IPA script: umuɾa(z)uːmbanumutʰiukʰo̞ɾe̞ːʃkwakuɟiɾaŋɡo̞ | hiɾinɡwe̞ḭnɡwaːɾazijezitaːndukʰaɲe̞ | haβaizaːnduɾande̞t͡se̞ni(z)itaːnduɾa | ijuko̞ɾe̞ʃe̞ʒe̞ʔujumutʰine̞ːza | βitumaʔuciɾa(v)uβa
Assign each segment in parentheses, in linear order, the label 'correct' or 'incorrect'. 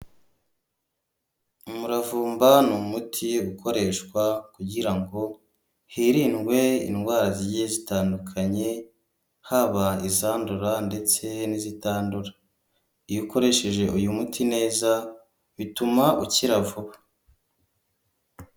incorrect: v, correct, correct

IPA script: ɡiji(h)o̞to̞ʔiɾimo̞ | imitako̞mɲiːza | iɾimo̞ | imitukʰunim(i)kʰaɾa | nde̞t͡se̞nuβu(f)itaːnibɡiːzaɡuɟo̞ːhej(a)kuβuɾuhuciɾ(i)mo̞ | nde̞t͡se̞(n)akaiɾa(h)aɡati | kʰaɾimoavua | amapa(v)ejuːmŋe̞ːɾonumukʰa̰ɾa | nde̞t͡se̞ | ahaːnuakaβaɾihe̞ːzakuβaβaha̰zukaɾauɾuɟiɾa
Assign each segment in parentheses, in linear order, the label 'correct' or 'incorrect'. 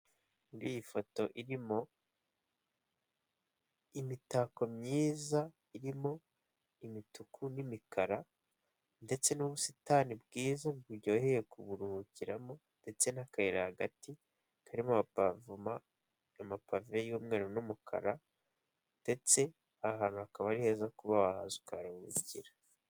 incorrect: f, correct, incorrect: s, incorrect: e, incorrect: a, correct, correct, correct

